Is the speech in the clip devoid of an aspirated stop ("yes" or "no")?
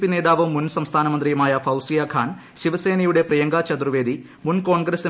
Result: no